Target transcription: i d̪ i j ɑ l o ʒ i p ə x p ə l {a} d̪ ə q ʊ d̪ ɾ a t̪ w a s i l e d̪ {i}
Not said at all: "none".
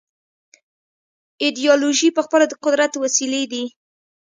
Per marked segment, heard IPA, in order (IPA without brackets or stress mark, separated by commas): a, i